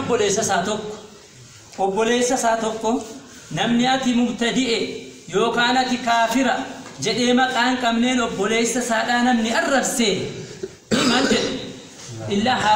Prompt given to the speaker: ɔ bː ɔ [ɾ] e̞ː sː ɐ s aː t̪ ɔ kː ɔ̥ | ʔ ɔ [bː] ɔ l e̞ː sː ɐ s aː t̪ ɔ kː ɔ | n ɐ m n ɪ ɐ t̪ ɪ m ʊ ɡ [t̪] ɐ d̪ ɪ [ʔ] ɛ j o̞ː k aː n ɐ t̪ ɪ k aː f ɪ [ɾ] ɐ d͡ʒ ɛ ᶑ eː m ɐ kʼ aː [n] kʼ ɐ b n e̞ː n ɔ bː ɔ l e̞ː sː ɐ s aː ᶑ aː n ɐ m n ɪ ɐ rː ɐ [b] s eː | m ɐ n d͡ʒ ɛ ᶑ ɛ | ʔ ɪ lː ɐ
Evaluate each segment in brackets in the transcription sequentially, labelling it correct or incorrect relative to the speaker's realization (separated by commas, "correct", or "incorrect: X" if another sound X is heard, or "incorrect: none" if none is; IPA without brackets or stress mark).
incorrect: l, correct, correct, correct, correct, incorrect: ŋ, correct